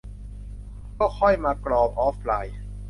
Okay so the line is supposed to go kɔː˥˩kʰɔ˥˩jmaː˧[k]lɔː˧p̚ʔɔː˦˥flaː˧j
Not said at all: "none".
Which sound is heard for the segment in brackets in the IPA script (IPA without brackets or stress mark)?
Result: k